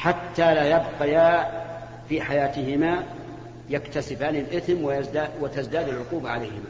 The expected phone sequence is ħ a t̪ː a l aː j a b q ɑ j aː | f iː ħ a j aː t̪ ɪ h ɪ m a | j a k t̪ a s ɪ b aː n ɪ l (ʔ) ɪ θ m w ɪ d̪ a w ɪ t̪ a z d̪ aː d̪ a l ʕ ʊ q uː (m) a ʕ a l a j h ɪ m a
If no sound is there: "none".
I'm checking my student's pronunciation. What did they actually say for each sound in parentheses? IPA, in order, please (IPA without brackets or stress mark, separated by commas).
ʔ, b